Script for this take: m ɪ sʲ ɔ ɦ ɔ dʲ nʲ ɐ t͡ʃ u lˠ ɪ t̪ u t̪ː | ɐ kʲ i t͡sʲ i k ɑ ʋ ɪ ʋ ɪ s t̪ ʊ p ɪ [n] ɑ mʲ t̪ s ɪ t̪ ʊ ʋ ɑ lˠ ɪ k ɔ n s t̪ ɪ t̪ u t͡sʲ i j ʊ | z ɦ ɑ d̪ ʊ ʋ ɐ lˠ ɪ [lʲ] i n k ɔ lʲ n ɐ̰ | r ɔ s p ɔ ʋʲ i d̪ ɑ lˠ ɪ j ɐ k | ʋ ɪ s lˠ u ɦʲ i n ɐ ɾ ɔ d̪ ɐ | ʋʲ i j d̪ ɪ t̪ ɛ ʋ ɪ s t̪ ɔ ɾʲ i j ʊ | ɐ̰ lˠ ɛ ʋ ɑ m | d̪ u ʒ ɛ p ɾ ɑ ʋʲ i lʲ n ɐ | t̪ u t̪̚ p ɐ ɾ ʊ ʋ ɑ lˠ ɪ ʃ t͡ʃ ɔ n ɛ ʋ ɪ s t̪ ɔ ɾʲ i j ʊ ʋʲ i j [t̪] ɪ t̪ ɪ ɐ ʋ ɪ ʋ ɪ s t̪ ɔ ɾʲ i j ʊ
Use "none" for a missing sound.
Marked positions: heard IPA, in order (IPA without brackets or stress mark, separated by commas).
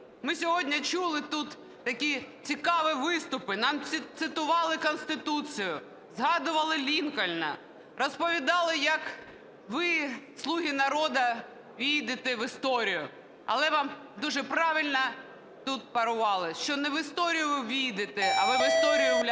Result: n, lʲ, d̪